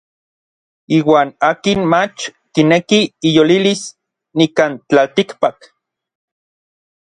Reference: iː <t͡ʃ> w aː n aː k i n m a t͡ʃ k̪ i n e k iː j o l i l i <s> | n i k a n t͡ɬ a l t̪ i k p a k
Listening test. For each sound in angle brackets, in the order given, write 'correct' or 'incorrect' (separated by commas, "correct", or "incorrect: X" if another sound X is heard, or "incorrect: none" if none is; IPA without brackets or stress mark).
incorrect: none, correct